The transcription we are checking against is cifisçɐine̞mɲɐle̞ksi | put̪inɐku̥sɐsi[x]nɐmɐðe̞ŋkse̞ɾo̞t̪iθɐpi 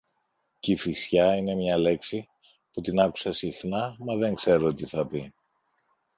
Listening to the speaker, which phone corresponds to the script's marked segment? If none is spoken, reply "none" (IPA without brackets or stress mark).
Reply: x